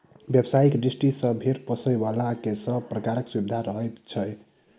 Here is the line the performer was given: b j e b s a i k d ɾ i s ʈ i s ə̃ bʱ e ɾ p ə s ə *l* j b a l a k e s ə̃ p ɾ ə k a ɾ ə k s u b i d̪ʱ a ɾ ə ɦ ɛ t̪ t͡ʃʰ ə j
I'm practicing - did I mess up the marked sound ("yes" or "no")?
yes